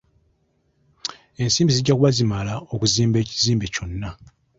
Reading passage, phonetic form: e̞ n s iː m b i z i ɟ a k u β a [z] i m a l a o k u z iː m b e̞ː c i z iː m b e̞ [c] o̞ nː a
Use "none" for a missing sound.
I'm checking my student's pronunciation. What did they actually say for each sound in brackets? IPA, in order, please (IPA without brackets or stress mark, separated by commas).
z, c